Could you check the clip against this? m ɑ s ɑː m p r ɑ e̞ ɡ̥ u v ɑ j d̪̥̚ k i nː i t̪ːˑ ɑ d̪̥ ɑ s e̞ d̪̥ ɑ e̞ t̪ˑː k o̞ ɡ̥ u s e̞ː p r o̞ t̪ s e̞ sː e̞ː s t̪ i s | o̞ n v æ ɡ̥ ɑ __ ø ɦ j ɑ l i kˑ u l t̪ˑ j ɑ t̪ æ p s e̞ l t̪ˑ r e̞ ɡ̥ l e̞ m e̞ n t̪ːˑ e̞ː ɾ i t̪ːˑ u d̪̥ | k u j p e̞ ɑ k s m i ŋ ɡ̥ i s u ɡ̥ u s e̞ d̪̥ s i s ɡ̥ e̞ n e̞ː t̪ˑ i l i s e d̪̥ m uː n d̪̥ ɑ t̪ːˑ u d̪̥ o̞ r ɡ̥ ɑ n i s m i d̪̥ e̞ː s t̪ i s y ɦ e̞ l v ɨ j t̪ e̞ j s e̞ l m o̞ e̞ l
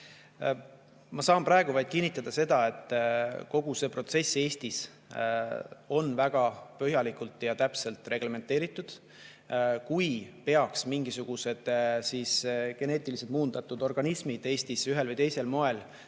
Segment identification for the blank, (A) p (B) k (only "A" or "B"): A